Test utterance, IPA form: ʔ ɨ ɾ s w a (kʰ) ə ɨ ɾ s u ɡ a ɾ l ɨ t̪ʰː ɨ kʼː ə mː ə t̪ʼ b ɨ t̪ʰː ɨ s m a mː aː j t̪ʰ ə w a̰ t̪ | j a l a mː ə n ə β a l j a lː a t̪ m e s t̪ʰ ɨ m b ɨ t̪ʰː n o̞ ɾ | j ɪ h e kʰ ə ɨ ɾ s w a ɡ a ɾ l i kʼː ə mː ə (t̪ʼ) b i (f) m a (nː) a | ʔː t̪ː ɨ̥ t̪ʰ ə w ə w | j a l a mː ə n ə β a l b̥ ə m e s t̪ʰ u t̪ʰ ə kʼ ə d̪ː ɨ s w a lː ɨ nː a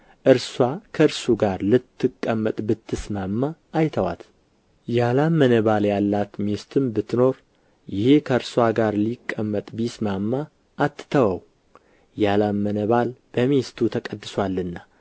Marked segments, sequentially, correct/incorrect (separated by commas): correct, correct, incorrect, incorrect